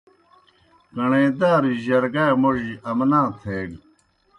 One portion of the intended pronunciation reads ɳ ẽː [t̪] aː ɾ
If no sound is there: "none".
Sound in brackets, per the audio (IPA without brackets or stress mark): d̪